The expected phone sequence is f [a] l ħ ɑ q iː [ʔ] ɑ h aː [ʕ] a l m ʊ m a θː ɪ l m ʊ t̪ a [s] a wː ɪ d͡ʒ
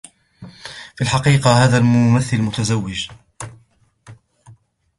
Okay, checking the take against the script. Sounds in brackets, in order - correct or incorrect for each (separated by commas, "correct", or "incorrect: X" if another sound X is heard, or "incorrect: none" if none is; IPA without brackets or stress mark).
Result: incorrect: i, incorrect: q, incorrect: ð, incorrect: z